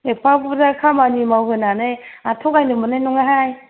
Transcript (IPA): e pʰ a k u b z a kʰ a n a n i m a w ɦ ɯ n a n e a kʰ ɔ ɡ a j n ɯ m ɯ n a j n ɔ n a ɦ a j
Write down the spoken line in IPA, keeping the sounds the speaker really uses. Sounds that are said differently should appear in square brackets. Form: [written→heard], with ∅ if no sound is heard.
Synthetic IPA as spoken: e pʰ a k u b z a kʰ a [n→m] a n i m a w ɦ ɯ n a n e a [kʰ→tʰ] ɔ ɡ a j n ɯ m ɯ n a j n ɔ [n→ŋ] a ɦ a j